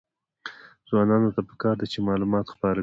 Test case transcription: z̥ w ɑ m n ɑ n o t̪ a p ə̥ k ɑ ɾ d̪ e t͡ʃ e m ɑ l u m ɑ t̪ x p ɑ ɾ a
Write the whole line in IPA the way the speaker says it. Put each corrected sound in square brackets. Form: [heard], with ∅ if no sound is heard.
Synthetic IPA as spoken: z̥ w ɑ [∅] n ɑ n o t̪ a p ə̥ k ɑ ɾ d̪ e t͡ʃ e m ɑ l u m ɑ t̪ x p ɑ ɾ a